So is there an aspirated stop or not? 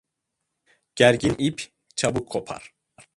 yes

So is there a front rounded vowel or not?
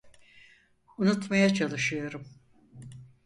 no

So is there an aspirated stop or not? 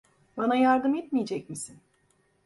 no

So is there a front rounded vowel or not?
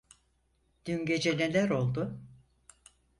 yes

